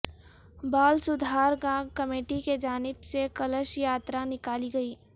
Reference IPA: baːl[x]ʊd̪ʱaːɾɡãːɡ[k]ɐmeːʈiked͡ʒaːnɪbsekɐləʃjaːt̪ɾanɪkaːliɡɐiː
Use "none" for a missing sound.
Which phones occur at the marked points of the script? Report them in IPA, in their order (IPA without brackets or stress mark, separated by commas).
s, k